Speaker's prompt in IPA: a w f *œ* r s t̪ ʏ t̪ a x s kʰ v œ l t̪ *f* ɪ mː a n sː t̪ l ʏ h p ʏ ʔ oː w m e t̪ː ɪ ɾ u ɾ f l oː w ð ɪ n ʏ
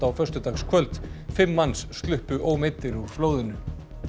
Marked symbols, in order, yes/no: yes, yes

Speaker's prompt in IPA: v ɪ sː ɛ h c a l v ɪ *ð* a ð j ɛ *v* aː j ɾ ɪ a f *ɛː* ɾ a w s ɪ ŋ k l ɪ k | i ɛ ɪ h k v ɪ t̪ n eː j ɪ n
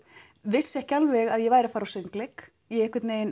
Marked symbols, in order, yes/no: no, yes, no

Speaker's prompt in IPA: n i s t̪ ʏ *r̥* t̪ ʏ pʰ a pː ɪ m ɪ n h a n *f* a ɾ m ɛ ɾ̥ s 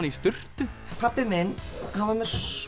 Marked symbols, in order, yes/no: yes, no

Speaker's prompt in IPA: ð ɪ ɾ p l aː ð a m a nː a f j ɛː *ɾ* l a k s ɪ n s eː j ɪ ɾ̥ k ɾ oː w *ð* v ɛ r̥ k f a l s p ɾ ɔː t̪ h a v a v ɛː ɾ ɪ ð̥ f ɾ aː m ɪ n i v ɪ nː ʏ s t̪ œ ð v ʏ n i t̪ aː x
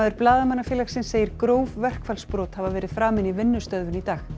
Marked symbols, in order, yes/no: no, no

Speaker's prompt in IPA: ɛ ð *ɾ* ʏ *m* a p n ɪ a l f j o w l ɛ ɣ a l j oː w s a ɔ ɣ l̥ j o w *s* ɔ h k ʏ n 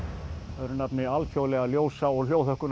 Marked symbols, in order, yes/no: yes, no, no

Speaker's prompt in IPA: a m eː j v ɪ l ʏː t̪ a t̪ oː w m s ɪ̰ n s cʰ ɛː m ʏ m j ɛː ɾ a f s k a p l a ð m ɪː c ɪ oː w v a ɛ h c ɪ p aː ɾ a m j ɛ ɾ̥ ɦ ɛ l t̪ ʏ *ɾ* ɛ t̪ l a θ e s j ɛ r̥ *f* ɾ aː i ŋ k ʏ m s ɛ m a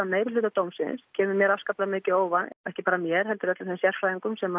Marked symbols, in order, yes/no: yes, yes

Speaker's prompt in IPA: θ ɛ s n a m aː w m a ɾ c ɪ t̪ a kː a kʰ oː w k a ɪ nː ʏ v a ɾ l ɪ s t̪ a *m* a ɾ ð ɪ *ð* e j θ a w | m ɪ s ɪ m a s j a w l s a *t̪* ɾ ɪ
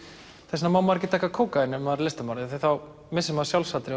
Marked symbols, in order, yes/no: yes, no, yes

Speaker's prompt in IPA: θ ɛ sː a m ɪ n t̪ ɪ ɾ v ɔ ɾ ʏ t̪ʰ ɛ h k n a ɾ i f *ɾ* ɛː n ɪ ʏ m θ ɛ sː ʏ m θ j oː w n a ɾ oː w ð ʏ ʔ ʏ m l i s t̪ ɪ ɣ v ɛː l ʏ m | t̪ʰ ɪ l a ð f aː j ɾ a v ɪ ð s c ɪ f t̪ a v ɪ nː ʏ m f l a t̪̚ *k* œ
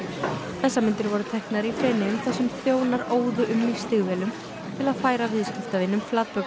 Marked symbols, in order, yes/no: yes, no

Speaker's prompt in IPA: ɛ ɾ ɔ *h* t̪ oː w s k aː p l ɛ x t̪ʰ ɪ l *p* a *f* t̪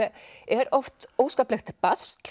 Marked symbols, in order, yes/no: no, yes, no

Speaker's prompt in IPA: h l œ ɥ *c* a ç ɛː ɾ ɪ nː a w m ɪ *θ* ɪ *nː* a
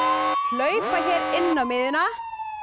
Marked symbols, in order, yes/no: no, no, no

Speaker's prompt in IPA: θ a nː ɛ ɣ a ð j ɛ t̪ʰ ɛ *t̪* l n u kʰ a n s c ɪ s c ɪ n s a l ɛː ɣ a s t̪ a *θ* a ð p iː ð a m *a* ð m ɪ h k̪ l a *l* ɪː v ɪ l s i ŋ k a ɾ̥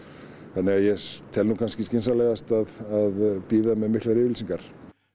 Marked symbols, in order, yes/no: no, no, no, no

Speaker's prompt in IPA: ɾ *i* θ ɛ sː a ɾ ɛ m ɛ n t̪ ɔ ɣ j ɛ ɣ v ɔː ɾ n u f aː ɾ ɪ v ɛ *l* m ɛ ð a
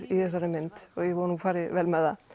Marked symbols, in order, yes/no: yes, yes

